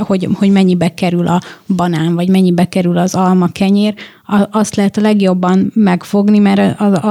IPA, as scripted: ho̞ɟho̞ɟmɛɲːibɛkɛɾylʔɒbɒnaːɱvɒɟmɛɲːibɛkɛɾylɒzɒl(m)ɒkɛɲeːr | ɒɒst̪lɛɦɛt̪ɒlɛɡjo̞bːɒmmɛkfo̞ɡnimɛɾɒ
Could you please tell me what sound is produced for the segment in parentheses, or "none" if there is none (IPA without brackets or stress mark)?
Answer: m